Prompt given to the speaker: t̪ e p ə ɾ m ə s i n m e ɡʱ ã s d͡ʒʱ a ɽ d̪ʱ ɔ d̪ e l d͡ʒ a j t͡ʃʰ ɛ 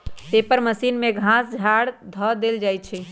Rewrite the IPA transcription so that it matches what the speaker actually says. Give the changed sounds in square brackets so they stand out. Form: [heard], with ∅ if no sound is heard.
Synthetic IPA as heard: t̪ e p ə ɾ m ə s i n m e ɡʱ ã s d͡ʒʱ a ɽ d̪ʱ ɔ d̪ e l d͡ʒ a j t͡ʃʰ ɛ